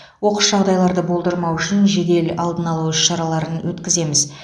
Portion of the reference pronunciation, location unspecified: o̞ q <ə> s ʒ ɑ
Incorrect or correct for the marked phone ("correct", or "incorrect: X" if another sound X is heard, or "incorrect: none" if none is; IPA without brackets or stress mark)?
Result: correct